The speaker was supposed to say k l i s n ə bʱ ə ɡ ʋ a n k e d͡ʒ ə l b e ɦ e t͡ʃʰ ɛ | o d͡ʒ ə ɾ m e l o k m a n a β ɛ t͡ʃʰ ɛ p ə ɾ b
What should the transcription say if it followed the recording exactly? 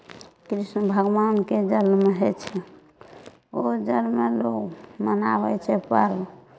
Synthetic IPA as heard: k ɾ i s n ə bʱ ə ɡ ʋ a n k e d͡ʒ ə l m e ɦ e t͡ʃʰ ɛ | o d͡ʒ ə l m e l o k m ə n a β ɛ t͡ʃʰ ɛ p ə ɾ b